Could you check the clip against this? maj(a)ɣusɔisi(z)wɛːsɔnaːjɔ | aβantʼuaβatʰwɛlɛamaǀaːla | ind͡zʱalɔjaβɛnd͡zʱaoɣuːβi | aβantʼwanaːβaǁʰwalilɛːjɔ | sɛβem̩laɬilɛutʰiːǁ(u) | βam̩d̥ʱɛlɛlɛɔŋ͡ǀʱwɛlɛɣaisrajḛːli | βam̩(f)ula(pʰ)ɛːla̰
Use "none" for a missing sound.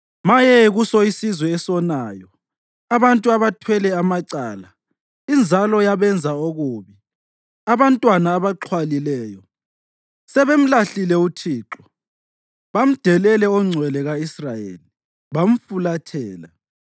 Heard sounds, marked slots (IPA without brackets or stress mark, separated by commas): ɛ, z, ɔ, f, tʰ